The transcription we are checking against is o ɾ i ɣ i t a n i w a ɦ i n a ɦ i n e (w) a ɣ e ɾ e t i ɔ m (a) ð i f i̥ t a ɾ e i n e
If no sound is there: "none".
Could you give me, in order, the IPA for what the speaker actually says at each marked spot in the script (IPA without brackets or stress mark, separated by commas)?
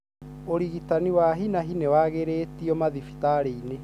w, a